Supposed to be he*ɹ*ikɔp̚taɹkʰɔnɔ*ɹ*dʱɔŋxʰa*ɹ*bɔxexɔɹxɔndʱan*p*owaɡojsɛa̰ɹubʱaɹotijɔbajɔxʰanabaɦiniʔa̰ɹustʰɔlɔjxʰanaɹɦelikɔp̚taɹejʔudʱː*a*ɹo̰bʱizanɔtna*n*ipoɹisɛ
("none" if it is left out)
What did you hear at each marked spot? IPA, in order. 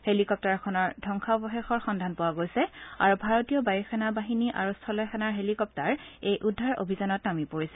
l, ɹ, none, p, a, m

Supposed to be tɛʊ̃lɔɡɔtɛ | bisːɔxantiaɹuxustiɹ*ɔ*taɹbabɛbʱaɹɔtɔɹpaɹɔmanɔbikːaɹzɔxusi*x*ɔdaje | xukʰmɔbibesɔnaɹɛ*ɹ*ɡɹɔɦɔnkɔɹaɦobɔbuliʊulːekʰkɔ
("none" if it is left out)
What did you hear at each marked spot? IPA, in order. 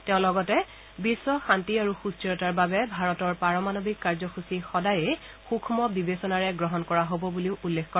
ɔ, x, none

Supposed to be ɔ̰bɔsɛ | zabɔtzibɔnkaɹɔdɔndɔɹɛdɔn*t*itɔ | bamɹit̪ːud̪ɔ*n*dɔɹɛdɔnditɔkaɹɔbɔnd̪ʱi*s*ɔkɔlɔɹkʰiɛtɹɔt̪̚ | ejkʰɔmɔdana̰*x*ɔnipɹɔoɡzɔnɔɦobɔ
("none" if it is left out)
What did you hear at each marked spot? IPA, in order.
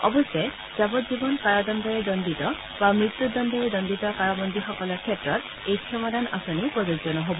d, n, x, s

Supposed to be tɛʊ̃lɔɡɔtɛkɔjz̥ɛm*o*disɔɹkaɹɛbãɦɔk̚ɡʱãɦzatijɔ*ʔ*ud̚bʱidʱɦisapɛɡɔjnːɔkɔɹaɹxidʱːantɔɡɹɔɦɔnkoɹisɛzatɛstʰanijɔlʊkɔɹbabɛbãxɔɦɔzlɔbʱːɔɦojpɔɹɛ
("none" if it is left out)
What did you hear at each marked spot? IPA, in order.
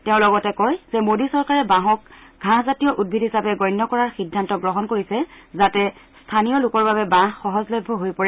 o, ʔ

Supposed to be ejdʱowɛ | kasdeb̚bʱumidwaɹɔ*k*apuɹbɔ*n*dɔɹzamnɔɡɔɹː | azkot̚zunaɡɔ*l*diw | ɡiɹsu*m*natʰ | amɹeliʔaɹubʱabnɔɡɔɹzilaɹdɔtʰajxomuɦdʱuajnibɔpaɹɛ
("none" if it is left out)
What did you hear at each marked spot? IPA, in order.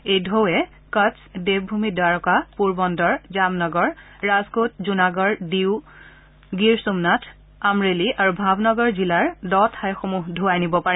k, n, ɹ, m

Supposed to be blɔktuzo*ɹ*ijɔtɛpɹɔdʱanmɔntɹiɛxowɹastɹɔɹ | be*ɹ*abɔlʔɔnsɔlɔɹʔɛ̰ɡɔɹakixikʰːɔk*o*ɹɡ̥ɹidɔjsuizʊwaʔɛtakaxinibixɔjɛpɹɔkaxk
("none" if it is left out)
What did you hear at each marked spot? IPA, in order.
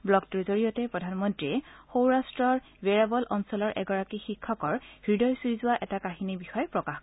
ɹ, ɹ, ɔ

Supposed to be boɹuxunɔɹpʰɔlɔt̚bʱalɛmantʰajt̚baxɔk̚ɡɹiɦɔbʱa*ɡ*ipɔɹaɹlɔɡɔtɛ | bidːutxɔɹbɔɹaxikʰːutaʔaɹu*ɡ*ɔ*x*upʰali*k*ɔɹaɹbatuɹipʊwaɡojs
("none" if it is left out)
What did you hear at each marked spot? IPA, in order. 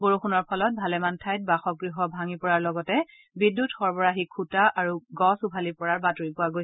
ŋ, ɡ, s, p

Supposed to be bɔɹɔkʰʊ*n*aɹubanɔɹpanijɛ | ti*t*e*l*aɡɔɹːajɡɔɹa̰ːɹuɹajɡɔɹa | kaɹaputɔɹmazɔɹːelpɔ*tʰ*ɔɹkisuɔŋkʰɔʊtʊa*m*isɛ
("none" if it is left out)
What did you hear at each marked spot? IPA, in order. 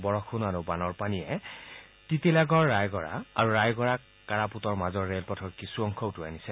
n, t, l, tʰ, n

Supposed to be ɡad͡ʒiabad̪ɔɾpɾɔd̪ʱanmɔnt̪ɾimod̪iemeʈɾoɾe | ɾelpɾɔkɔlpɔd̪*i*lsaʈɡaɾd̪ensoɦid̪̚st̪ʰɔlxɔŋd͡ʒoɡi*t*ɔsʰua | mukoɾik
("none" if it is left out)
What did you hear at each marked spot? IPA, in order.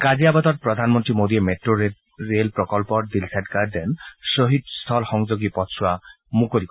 i, p

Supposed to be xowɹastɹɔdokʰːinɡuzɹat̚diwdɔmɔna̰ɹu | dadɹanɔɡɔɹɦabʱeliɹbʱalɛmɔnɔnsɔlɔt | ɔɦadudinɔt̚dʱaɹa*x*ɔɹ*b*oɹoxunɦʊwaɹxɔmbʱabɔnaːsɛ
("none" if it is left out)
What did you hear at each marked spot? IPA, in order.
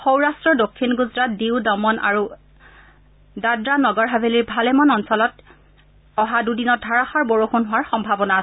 x, b

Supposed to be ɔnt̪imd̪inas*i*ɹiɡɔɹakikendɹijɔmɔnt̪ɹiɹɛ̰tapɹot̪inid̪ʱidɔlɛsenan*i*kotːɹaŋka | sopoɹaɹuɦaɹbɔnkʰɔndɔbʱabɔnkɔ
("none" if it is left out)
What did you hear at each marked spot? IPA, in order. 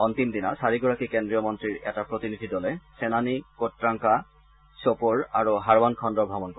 a, i

